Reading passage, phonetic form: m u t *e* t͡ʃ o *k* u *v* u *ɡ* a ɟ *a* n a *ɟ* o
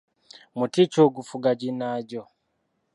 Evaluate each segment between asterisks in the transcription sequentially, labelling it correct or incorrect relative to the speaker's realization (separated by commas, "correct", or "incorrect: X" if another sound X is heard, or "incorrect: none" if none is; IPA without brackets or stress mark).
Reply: incorrect: i, incorrect: ɡ, incorrect: f, correct, incorrect: i, correct